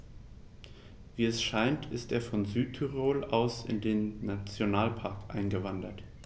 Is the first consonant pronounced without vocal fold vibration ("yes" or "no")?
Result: no